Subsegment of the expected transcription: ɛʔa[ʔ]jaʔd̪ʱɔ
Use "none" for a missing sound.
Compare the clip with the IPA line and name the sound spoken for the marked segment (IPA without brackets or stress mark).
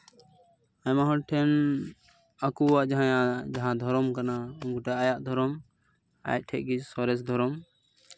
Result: none